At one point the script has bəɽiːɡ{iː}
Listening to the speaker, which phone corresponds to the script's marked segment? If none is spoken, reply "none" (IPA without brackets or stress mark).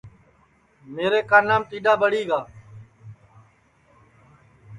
aː